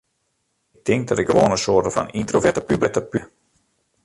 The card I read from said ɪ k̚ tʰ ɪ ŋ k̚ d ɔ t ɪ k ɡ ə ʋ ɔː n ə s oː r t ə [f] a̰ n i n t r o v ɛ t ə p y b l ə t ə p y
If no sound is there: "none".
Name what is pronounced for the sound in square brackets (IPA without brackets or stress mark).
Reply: f